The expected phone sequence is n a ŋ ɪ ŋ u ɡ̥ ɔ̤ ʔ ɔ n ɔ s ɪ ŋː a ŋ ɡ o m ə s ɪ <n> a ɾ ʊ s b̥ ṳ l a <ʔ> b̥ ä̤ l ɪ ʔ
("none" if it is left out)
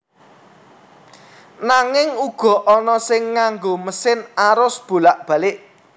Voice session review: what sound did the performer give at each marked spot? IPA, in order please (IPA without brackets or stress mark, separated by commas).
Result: n, ʔ